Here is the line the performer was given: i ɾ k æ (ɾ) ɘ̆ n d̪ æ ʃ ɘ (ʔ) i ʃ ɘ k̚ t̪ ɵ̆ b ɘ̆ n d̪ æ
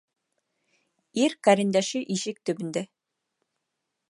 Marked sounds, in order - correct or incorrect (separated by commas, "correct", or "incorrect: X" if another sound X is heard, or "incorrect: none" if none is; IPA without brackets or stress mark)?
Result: correct, correct